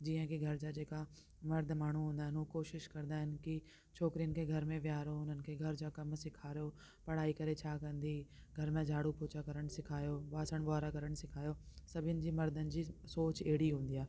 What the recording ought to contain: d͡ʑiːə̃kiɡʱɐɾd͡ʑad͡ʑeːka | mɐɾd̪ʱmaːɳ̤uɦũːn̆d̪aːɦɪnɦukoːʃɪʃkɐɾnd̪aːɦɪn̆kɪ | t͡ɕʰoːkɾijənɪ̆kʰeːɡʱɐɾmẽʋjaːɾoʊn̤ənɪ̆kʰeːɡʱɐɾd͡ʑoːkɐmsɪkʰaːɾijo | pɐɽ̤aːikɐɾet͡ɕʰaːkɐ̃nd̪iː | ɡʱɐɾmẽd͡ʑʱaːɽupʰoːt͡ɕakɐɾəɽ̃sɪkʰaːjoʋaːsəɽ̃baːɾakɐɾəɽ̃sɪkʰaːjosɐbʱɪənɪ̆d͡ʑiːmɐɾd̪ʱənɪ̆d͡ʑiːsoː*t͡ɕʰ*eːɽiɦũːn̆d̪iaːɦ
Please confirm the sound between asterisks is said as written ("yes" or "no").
no